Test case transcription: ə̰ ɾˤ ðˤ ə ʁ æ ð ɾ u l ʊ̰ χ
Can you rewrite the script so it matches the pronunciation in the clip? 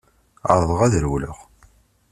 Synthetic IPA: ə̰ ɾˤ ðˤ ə ʁ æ ð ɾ w l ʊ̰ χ